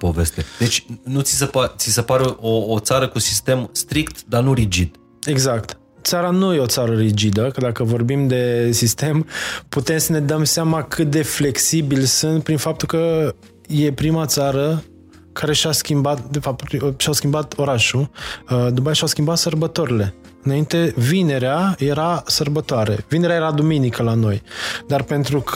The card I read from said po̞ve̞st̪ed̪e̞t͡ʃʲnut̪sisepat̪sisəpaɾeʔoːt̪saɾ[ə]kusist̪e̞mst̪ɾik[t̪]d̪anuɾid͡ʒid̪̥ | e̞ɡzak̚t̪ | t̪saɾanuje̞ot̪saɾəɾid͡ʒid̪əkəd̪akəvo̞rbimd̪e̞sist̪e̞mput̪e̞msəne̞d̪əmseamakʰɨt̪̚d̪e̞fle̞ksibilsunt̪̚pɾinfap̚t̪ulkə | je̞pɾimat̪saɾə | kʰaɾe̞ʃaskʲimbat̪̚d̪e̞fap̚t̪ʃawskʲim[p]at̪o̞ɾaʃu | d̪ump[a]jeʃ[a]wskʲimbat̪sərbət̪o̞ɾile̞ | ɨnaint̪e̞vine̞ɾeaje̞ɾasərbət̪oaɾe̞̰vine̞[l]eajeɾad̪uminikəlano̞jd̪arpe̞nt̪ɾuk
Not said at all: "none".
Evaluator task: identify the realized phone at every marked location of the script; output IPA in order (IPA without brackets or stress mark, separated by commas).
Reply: ə, t̪, b, a, a, ɾ